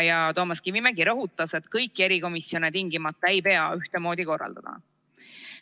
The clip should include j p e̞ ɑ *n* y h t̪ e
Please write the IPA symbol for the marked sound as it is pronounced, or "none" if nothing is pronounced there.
none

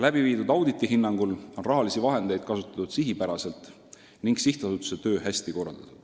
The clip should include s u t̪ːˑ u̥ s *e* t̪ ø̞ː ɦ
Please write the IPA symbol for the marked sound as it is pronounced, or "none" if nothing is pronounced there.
e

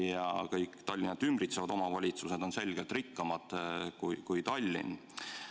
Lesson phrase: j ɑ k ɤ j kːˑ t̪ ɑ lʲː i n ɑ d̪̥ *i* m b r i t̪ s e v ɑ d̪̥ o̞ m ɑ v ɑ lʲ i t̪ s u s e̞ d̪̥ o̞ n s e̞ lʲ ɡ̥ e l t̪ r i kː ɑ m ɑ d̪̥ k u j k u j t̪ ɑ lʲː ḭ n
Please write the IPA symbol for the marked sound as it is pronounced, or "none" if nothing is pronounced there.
y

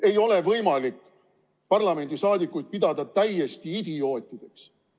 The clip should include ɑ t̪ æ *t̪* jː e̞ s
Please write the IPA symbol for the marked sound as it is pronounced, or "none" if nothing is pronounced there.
none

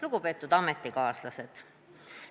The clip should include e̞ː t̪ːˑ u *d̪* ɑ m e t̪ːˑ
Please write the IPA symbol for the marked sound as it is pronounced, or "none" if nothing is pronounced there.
d̪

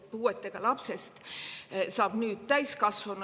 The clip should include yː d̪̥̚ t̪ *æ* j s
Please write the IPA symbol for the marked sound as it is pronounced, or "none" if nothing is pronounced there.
æ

